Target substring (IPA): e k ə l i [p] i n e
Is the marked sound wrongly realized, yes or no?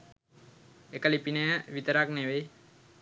no